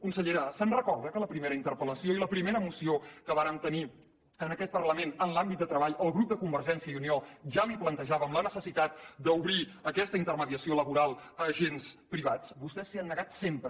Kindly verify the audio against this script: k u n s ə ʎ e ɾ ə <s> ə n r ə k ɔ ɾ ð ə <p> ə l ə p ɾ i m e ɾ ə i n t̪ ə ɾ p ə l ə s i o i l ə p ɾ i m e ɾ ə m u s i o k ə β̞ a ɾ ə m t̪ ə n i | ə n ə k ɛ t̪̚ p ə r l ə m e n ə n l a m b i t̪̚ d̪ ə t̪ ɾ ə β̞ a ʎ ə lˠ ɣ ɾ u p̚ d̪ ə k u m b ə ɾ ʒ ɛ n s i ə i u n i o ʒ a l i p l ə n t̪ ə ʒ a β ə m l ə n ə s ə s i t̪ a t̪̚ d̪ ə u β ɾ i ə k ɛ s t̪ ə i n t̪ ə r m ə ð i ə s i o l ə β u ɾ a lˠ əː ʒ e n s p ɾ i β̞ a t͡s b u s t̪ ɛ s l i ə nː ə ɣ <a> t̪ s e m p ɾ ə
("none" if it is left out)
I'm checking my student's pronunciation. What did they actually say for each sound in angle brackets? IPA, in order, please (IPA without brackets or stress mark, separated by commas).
s, k, a